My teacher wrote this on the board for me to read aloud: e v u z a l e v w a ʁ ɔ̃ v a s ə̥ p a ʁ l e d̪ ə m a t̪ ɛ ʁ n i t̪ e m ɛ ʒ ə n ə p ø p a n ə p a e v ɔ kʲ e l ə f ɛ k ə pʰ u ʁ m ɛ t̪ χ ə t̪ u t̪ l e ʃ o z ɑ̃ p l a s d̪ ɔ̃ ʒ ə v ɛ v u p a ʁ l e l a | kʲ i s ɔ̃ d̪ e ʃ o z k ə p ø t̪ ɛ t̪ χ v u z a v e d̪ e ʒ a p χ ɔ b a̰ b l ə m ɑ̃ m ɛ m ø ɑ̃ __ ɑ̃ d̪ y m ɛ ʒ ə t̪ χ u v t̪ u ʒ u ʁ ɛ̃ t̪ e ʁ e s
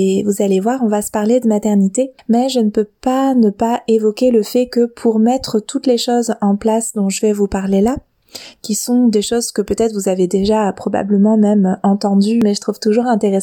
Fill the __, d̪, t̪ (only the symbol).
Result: t̪